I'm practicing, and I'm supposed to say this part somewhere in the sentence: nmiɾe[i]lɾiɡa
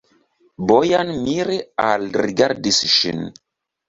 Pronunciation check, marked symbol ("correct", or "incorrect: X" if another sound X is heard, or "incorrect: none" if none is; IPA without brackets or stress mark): incorrect: a